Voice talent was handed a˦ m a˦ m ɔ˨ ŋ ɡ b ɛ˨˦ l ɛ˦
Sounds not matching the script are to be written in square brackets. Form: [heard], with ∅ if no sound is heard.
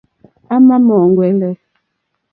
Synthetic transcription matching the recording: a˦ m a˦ m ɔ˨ ŋ ɡ [w] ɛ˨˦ l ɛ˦